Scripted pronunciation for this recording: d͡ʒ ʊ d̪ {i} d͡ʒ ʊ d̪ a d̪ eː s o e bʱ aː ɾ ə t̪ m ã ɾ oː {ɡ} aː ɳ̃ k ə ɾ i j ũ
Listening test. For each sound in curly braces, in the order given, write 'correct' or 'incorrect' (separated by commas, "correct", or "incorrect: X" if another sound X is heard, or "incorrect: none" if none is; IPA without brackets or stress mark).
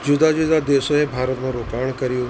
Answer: incorrect: a, incorrect: k